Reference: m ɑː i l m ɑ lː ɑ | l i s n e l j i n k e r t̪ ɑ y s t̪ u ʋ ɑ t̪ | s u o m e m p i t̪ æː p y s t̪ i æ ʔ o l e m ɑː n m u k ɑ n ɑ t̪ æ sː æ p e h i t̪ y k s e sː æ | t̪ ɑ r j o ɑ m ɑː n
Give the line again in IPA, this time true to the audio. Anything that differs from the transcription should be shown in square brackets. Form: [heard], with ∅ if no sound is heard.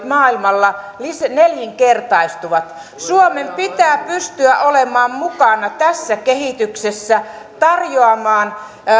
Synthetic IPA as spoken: m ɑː i l m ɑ lː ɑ | l i s n e l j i [ŋ] k e r t̪ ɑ [i] s t̪ u ʋ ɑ t̪ | s u o m e m p i t̪ æː p y s t̪ [y] æ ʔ o l e m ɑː [m] m u k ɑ n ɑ t̪ æ sː æ [k] e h i t̪ y k s e sː æ | t̪ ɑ r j o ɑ m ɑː n